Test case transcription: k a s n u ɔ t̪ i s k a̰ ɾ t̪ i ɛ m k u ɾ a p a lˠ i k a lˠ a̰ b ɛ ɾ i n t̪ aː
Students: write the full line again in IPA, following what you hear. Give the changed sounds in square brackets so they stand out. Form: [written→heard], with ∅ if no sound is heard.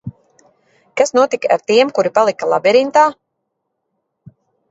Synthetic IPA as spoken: k a s n u ɔ t̪ i [s→∅] k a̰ ɾ t̪ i ɛ m k u ɾ [a→i] p a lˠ i k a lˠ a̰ b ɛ ɾ i n t̪ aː